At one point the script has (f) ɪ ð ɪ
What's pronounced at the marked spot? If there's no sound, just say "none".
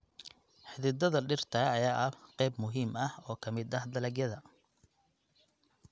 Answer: ħ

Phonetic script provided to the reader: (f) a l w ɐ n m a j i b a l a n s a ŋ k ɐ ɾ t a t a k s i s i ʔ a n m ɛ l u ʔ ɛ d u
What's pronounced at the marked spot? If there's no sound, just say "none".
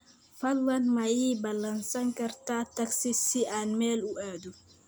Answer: f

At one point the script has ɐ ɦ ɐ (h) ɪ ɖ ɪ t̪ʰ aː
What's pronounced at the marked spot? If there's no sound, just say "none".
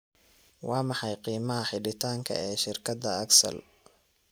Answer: ħ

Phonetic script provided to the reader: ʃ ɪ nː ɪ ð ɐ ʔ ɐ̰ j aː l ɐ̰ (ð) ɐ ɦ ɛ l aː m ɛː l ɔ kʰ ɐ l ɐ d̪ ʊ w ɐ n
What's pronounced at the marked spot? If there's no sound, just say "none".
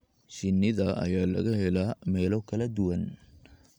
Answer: ɣ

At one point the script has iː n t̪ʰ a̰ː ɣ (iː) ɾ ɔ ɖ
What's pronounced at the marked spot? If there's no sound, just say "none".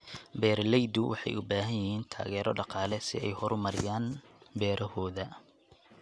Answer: ɛː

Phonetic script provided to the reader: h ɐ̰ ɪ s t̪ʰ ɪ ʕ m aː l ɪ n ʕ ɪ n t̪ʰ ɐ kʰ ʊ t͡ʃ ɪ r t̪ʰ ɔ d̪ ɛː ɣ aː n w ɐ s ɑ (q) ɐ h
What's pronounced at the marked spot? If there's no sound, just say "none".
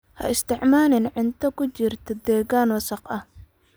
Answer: q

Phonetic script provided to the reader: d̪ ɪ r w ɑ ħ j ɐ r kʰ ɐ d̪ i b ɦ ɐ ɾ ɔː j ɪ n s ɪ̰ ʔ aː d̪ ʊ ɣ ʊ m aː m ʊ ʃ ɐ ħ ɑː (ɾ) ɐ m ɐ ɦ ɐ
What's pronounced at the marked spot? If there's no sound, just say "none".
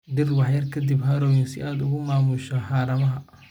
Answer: ɾ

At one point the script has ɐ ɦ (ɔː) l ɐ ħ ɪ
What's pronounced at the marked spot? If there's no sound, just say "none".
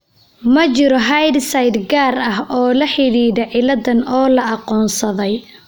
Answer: ɔː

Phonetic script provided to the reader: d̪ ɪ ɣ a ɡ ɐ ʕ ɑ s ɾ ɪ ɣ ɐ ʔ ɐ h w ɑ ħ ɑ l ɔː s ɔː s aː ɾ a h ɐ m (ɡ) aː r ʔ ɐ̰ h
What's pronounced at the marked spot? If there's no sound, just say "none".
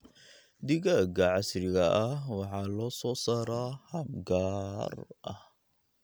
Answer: ɡ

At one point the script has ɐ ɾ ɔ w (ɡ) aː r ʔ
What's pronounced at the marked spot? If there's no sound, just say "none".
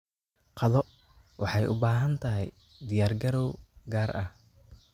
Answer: ɡ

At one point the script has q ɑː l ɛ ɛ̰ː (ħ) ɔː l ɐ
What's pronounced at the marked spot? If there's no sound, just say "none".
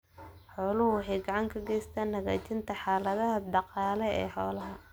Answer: ħ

